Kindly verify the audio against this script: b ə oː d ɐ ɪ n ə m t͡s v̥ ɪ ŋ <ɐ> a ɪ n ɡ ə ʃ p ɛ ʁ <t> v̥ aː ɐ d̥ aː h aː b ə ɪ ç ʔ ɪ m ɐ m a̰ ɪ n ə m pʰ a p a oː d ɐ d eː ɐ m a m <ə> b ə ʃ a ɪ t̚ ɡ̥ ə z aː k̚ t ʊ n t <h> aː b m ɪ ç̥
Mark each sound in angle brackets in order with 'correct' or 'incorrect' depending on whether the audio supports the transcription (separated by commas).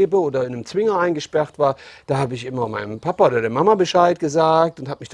correct, correct, incorrect, correct